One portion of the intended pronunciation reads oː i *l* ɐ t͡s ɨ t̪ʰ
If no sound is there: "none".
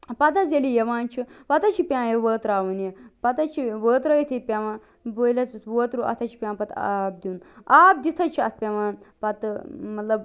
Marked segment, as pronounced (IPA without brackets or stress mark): l